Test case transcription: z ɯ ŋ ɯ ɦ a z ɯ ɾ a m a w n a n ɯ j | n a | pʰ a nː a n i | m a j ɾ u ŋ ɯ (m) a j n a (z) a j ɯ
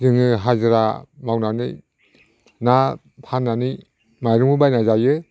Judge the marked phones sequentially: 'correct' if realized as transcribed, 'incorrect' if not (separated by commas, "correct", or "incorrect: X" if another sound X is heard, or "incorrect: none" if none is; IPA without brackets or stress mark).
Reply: incorrect: b, correct